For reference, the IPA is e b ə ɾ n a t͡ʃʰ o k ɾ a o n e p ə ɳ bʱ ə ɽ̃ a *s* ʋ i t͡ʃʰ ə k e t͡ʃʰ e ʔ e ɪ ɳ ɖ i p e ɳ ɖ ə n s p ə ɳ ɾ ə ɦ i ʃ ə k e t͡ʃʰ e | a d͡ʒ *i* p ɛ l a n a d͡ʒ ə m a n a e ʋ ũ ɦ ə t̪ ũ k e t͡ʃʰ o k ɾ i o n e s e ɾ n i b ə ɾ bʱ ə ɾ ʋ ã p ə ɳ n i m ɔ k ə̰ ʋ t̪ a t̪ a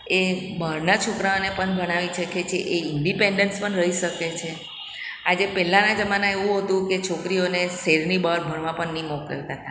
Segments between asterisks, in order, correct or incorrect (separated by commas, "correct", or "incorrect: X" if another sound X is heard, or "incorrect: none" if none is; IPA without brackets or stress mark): incorrect: none, incorrect: e